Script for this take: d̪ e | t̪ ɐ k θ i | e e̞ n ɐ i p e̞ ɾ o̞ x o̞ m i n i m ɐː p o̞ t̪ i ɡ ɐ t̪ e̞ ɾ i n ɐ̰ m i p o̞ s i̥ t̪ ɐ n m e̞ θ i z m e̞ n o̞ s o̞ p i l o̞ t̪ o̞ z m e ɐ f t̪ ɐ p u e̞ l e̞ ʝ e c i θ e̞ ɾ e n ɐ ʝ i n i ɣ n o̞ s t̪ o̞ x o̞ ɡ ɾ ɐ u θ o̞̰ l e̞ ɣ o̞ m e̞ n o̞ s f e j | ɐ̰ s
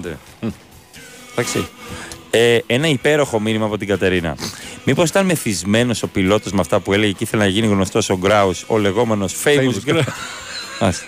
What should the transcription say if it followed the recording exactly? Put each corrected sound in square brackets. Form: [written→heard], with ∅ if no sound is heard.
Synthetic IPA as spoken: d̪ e | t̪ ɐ k [θ→s] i | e e̞ n ɐ i p e̞ ɾ o̞ x o̞ m i n i m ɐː p o̞ t̪ i ɡ ɐ t̪ e̞ ɾ i n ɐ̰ m i p o̞ s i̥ t̪ ɐ n m e̞ θ i z m e̞ n o̞ s o̞ p i l o̞ t̪ o̞ z m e ɐ f t̪ ɐ p u e̞ l e̞ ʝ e c i θ e̞ [ɾ→l] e n ɐ ʝ i n i ɣ n o̞ s t̪ o̞ [x→s] o̞ ɡ ɾ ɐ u [θ→s] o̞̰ l e̞ ɣ o̞ m e̞ n o̞ s f e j | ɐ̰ s